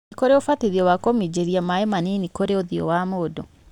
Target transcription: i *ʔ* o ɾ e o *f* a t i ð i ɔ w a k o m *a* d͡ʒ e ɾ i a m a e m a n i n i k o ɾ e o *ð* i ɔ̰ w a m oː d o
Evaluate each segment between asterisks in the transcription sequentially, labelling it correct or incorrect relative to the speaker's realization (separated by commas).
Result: incorrect, correct, incorrect, correct